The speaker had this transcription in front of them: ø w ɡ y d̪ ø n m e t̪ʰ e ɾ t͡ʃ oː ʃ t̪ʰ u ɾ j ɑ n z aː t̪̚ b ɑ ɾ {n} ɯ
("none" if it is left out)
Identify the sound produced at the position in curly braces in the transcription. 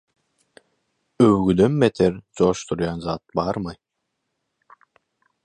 m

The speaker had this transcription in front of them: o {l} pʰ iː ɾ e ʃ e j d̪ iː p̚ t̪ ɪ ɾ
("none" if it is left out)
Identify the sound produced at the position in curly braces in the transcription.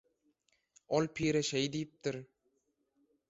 l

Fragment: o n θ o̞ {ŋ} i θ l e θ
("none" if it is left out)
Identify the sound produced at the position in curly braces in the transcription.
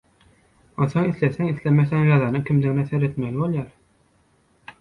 ŋ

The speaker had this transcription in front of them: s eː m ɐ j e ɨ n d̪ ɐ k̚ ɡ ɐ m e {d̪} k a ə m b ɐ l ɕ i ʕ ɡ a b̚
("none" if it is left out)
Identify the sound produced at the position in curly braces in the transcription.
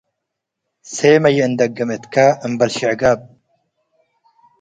t̪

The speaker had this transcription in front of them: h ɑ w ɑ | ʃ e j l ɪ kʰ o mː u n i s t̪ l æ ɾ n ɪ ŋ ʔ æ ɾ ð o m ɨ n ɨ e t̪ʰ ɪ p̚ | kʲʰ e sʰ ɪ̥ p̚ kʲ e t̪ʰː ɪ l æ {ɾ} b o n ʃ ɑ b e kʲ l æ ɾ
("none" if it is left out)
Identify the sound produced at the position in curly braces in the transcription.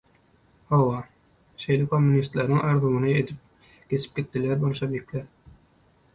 ɾ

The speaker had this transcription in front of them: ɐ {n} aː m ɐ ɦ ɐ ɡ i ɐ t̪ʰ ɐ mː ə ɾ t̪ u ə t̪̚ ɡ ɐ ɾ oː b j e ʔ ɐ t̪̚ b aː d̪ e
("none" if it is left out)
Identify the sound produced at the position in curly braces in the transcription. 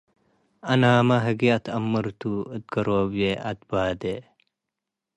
n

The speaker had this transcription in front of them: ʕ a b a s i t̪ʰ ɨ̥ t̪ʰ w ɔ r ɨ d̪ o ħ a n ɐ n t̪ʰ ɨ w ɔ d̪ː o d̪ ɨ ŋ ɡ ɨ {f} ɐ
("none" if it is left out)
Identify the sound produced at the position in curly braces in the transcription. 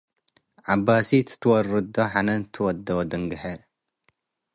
ħ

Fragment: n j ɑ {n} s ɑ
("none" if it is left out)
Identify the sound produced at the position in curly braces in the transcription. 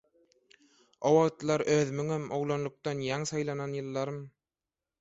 ŋ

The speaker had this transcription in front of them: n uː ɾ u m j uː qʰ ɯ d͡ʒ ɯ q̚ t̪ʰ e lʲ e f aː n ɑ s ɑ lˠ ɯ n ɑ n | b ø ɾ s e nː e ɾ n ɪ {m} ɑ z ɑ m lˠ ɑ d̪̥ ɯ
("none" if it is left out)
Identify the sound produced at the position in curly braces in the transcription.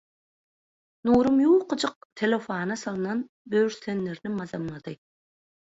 m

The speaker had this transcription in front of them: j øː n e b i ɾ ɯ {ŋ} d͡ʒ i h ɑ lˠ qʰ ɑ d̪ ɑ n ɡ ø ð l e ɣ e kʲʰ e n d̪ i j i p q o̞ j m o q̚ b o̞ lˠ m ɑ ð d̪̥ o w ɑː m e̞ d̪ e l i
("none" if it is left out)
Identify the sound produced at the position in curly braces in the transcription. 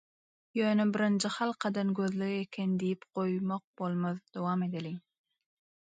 n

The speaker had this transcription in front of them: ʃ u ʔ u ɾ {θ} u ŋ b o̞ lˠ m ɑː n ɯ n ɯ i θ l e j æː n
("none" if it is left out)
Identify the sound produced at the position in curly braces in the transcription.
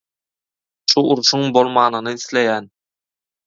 ʃ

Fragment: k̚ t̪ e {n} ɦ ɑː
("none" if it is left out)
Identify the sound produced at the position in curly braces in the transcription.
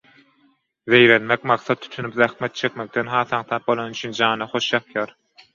n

